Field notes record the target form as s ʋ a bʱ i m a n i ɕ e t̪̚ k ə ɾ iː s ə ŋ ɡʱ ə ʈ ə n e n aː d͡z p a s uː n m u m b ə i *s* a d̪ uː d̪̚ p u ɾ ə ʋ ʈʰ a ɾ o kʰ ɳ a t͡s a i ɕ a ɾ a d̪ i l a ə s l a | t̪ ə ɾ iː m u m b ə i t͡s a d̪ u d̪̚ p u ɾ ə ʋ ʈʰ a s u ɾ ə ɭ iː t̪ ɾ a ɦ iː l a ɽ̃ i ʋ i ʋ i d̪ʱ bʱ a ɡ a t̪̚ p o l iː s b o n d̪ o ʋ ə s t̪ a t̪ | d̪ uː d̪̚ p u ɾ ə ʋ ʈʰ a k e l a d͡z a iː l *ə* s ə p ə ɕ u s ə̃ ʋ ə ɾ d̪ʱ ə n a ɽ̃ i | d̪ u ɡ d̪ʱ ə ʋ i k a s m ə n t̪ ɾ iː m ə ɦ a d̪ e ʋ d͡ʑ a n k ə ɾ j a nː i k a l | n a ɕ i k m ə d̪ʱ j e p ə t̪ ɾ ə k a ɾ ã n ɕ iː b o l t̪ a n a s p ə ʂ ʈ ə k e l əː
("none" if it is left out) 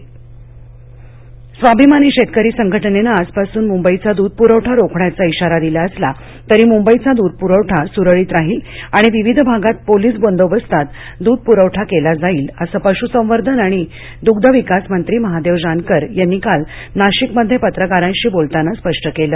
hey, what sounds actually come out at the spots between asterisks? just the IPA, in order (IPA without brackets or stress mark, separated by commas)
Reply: t͡s, ə